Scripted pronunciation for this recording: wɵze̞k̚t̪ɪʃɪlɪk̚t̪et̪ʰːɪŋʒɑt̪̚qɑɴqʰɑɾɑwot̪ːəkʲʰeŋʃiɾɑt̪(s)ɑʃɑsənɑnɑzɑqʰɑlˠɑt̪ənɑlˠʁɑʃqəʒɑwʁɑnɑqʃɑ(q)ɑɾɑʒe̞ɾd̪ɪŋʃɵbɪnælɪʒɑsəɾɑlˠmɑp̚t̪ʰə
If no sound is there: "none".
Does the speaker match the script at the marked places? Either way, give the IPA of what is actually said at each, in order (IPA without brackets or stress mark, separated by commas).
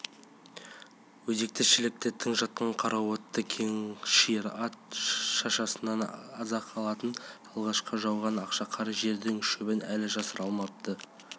ʃ, qʰ